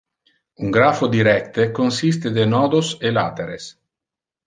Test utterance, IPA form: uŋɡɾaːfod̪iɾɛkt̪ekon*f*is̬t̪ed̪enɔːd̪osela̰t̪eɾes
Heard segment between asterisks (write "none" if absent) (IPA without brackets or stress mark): s